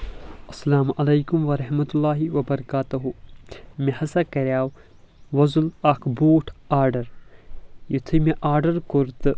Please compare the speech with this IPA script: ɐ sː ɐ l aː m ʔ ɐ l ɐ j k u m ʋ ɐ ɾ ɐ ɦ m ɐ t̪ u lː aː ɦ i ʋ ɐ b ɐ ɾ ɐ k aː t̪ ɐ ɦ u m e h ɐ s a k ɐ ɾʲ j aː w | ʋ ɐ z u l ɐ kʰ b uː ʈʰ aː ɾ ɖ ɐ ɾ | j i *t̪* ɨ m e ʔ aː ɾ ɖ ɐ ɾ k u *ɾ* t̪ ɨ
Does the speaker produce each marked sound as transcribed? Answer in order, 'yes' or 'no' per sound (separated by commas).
no, yes